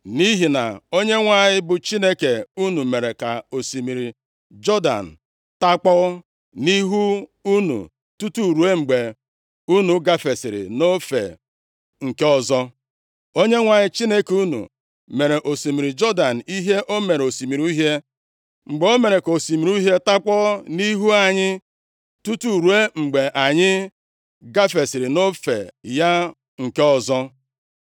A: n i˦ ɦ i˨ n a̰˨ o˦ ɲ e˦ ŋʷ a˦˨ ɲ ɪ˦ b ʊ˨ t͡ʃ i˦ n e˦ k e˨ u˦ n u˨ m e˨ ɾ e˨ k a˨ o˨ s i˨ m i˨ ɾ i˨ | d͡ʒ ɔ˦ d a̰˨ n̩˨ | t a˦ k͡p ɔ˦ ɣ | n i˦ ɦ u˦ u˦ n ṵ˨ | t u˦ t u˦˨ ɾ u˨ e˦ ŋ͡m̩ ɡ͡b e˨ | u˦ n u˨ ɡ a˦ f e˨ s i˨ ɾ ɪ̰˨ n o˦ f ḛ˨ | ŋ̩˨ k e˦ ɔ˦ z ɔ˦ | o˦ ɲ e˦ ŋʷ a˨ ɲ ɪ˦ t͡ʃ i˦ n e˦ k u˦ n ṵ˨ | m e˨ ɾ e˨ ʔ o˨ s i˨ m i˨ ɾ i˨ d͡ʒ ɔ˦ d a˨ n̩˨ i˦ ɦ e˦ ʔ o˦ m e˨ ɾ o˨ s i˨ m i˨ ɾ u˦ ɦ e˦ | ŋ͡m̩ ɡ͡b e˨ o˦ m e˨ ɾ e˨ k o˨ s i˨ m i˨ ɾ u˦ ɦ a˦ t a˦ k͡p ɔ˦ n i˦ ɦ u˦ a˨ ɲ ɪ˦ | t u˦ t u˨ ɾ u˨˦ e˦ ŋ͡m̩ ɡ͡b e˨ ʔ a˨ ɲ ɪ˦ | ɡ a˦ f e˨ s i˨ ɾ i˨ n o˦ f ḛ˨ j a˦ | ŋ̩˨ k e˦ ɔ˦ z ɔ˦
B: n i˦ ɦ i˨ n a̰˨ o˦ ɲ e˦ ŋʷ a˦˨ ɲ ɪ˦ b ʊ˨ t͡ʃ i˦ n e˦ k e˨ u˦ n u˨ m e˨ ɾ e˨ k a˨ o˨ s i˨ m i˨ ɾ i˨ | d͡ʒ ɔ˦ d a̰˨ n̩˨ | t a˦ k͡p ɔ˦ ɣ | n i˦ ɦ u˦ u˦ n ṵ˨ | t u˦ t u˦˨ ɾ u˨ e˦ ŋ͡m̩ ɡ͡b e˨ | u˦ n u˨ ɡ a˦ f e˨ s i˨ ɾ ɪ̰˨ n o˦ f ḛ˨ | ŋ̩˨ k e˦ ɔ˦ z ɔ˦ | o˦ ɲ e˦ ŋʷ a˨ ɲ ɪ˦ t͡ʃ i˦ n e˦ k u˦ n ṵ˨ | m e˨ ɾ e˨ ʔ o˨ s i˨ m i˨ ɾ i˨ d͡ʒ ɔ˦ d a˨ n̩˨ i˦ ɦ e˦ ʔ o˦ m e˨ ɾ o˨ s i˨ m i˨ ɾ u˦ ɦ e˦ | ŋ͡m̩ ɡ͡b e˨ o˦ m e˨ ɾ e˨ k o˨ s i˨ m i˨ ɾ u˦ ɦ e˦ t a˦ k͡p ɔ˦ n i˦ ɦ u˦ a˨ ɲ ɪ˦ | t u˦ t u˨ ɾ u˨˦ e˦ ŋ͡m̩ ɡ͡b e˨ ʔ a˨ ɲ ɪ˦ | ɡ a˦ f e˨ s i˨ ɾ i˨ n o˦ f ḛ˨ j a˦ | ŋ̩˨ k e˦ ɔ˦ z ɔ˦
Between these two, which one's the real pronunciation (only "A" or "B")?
B